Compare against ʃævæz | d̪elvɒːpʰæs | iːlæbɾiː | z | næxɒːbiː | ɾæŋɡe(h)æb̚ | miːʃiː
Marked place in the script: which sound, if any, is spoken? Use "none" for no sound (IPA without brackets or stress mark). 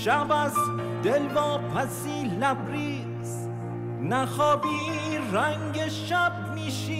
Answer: ʃ